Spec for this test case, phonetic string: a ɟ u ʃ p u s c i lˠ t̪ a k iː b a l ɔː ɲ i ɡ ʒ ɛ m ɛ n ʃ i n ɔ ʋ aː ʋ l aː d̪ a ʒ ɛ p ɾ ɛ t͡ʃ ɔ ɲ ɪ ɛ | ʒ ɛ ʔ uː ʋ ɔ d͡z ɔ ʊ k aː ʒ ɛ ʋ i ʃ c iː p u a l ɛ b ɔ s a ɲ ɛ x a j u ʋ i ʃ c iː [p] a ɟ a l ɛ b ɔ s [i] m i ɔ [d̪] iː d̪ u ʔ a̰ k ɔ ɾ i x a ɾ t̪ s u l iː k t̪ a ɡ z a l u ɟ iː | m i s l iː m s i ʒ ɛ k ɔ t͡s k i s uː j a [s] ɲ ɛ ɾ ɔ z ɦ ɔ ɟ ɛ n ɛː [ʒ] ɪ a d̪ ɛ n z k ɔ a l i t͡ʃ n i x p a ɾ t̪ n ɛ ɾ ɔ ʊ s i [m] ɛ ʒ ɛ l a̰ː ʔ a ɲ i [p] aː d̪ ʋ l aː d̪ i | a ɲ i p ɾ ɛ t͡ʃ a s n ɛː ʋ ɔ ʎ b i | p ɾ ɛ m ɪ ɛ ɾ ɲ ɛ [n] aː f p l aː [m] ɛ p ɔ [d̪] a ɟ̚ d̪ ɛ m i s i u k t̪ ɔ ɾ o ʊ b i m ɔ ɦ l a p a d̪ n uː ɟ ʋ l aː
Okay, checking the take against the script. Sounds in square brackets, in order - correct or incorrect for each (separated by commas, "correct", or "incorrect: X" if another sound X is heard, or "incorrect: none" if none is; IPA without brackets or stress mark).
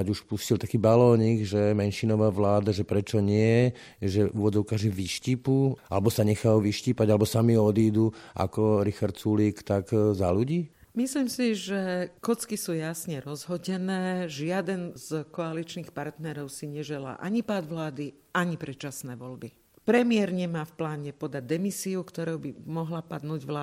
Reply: correct, incorrect: a, correct, correct, correct, incorrect: ɲ, correct, incorrect: m, incorrect: ɲ, correct